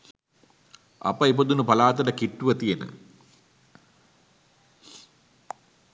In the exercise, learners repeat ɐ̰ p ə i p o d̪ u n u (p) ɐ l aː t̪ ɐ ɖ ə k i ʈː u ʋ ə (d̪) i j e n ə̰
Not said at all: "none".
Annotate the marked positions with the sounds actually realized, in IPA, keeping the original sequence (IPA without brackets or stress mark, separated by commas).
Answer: p, t̪